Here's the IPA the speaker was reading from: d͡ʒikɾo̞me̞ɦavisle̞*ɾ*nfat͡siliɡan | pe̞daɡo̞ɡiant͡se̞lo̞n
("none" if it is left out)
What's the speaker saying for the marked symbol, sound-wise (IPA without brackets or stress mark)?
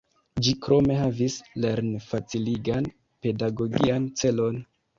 ɾ